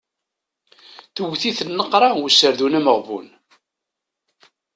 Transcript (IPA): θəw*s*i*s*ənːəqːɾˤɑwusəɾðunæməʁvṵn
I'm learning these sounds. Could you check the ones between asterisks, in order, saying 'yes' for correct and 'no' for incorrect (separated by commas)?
no, no